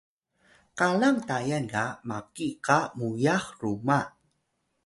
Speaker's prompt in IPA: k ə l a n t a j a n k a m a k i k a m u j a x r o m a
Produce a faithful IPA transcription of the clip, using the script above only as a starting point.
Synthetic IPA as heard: k a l a ŋ t a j a n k a m a k i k a m u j a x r u m a